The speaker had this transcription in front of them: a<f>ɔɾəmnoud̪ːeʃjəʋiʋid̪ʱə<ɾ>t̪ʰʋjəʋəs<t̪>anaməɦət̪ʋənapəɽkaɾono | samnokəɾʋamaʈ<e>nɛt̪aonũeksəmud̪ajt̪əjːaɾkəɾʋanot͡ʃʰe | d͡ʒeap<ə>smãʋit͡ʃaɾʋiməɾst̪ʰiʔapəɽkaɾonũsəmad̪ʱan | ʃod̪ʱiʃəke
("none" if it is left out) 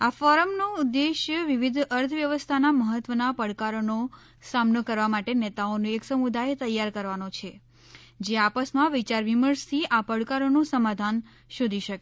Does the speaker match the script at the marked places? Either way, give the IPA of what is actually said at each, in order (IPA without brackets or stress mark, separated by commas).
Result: f, ɾ, t̪ʰ, e, ə